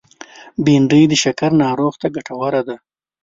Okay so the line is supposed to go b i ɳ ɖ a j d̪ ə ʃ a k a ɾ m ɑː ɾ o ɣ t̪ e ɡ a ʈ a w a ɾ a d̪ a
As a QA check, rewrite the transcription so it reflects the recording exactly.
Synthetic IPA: b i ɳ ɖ ə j d̪ ə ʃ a k a ɾ n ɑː ɾ o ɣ t̪ a ɡ a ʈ a w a ɾ a d̪ a